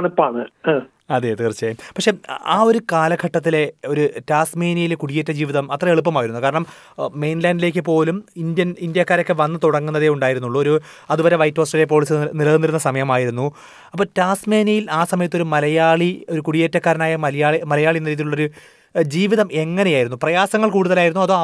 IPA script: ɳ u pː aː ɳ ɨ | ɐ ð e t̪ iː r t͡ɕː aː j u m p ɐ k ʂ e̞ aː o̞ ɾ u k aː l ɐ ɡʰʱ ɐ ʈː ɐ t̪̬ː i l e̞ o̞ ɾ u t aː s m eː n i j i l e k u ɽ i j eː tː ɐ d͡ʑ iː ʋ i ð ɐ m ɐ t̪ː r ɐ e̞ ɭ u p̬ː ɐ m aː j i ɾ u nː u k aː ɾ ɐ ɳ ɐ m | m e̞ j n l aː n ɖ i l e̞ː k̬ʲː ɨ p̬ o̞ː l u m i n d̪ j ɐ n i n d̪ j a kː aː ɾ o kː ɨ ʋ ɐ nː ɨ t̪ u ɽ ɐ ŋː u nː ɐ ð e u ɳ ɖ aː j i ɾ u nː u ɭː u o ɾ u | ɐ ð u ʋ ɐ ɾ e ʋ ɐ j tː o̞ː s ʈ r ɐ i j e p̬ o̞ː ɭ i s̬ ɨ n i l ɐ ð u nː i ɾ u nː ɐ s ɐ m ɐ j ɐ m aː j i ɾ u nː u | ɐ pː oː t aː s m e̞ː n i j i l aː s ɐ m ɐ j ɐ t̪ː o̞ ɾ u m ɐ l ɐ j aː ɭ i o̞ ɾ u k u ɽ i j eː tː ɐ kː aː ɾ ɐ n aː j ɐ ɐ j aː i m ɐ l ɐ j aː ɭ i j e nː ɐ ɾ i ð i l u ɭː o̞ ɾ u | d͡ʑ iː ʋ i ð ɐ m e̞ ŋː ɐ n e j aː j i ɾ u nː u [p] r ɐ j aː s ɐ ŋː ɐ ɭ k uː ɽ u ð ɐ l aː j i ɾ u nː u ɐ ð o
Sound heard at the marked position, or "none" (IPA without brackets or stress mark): p